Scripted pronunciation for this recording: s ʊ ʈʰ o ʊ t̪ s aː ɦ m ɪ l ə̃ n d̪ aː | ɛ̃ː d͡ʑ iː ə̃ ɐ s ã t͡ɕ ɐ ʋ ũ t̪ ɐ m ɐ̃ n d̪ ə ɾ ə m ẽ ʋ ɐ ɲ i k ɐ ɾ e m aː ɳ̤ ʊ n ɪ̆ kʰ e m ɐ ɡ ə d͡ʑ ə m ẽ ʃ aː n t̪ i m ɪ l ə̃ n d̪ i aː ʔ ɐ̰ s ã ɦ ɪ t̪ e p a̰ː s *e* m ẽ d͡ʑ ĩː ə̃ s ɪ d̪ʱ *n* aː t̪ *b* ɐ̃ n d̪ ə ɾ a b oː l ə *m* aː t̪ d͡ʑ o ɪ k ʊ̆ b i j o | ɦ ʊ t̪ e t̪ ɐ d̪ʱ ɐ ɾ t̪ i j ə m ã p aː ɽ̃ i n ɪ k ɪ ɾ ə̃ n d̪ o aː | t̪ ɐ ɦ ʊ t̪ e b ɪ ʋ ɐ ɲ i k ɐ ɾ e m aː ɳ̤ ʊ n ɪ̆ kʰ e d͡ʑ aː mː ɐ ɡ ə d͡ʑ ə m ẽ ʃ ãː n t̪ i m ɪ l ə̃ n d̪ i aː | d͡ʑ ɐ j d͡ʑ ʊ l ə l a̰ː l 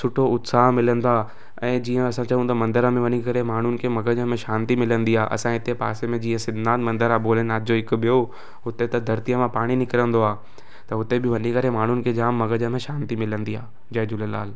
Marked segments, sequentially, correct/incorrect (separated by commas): correct, correct, incorrect, incorrect